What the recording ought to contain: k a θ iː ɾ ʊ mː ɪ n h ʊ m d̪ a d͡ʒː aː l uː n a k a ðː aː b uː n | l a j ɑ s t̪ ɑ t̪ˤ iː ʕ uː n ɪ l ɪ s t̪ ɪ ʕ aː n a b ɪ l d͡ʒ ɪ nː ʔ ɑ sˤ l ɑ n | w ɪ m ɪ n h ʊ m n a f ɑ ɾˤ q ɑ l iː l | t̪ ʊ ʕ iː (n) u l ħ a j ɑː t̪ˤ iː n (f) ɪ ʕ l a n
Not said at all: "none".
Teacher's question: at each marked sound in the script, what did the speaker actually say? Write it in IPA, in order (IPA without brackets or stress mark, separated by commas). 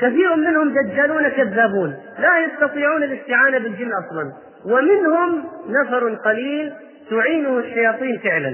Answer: n, f